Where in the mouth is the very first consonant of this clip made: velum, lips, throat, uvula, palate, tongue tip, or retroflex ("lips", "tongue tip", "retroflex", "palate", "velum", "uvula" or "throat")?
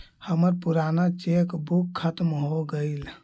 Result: throat